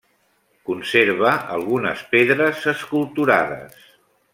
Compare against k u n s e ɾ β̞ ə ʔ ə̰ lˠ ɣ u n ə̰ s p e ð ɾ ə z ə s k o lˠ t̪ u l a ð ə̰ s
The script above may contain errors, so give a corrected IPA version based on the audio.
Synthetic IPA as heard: k u n s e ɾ β̞ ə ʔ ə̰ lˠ ɣ u n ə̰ s p e ð ɾ ə z ə s k u lˠ t̪ u ɾ a ð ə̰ s